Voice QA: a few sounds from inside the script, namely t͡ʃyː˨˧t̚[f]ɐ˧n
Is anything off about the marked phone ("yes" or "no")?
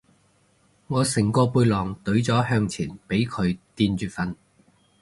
no